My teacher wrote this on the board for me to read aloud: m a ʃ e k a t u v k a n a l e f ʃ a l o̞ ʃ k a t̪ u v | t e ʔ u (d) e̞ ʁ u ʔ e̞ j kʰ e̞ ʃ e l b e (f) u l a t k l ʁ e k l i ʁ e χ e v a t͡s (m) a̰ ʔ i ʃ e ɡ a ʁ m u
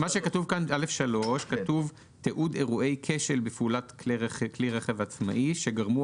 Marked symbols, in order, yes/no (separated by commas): yes, yes, yes